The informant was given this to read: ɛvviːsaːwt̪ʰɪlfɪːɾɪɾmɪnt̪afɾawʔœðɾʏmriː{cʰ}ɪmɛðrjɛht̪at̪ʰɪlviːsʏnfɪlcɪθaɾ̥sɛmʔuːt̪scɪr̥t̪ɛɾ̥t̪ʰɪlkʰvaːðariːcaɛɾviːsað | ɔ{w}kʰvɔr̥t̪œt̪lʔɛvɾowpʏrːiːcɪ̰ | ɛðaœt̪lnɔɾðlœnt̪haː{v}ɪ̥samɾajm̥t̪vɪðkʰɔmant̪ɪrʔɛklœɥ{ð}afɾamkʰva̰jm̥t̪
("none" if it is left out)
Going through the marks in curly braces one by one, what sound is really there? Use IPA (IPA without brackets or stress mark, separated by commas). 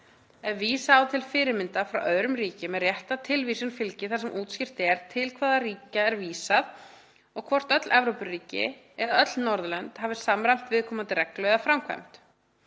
c, ɣ, v, ð